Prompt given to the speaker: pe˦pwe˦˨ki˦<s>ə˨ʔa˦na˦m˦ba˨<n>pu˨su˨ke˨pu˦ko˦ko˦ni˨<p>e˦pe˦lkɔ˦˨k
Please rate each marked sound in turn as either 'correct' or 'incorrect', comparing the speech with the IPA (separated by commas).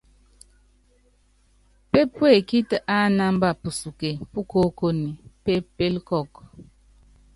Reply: incorrect, incorrect, correct